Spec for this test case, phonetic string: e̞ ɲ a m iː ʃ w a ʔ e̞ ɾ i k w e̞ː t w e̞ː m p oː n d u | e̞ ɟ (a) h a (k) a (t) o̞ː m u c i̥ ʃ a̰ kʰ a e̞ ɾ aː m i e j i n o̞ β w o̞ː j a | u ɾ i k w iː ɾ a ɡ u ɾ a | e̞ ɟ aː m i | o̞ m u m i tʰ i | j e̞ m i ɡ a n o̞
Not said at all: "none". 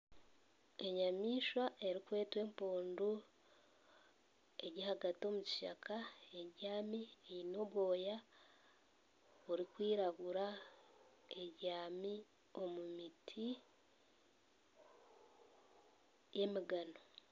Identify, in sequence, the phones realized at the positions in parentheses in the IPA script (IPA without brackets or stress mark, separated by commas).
i, ɡ, t